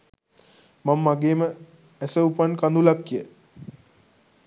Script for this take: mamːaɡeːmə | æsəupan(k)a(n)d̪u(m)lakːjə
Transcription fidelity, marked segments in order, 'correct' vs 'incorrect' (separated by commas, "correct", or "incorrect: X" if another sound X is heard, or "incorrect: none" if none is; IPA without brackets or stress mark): correct, correct, incorrect: none